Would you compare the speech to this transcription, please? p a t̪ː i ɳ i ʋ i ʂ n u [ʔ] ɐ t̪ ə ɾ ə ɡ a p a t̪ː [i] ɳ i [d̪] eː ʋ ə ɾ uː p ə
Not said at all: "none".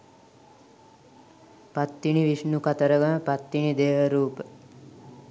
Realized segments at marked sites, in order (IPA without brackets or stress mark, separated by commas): k, i, d̪